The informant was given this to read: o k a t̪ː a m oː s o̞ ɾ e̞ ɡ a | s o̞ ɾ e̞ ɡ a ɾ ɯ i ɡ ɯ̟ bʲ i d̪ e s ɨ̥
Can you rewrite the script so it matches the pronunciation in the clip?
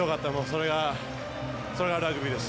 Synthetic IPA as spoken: o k a t̪ː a m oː s o̞ ɾ e̞ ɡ a | s o̞ ɾ e̞ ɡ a ɾ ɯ a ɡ ɯ̟ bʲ i d̪ e s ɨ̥